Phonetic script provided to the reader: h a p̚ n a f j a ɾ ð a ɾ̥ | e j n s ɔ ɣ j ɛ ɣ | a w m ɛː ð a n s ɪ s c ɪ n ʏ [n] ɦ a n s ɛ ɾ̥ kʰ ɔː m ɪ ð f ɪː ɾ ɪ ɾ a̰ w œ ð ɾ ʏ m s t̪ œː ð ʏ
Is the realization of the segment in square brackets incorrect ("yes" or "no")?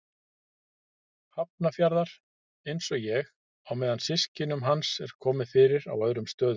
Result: yes